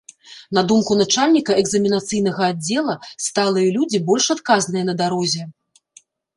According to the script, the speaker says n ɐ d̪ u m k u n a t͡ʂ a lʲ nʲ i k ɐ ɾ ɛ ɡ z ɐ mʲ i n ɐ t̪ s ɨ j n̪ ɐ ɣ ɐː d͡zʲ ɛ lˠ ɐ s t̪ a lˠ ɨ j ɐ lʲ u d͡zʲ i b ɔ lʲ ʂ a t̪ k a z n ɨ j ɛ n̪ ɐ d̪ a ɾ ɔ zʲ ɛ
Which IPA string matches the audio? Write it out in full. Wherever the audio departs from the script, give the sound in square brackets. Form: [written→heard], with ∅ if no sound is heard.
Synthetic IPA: n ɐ d̪ u m k u n a t͡ʂ a lʲ nʲ i k ɐ [ɾ→∅] ɛ ɡ z ɐ mʲ i n [ɐ→a] t̪ s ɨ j n̪ ɐ ɣ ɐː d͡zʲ ɛ lˠ ɐ s t̪ a lˠ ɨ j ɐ lʲ u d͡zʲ i b ɔ lʲ ʂ a t̪ k a z n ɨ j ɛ n̪ ɐ d̪ a ɾ ɔ zʲ ɛ